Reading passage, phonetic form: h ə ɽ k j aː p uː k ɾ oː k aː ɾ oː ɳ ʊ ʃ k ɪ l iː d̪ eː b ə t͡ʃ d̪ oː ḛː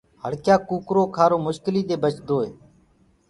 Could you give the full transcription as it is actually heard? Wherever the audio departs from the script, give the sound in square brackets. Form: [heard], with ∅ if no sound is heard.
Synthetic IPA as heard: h ə ɽ k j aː [k] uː k ɾ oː [kʰ] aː ɾ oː [m] ʊ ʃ k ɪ l iː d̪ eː b ə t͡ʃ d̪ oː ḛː